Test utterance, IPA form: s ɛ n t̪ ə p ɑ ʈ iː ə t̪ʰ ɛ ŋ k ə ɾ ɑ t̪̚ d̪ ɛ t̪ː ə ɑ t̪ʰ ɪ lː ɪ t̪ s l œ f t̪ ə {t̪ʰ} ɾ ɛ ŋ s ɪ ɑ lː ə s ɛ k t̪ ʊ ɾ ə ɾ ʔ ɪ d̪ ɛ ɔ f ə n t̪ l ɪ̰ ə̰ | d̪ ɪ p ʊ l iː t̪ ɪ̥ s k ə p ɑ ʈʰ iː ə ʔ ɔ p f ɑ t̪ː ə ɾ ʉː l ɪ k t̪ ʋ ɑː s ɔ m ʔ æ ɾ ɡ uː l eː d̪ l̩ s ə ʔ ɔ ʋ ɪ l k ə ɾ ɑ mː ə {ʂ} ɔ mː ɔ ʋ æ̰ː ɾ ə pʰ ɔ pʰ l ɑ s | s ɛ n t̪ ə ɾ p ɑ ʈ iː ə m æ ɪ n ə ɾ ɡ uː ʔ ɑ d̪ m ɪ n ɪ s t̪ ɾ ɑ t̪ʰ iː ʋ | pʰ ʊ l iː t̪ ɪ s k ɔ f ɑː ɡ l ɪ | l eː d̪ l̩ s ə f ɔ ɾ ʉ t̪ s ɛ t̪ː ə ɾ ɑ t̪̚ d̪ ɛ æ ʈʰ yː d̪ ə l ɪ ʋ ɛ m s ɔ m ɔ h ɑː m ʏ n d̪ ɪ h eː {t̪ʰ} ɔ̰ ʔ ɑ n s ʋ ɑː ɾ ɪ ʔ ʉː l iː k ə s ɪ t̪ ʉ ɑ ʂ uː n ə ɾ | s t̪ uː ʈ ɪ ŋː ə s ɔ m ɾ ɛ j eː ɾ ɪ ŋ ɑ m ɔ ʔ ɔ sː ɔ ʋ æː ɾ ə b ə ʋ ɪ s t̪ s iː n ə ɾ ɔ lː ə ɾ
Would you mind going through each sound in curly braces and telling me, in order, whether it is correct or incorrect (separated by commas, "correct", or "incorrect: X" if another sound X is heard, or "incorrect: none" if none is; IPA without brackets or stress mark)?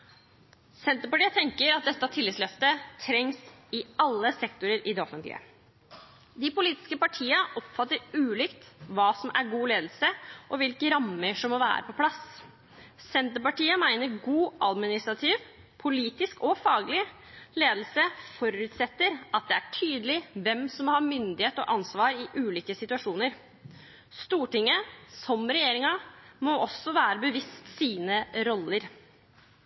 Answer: correct, correct, incorrect: t̪